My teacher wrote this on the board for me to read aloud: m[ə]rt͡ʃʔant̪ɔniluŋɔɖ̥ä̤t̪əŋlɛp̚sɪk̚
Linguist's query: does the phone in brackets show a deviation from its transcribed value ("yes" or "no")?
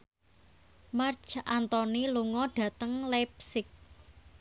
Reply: yes